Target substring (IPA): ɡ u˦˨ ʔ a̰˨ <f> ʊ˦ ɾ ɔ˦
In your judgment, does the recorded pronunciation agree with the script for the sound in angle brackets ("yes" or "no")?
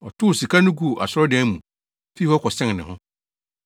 no